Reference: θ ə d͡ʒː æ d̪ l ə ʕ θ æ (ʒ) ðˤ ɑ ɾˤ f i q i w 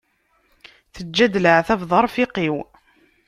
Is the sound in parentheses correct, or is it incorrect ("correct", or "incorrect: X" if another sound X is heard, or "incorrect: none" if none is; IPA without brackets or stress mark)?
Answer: incorrect: v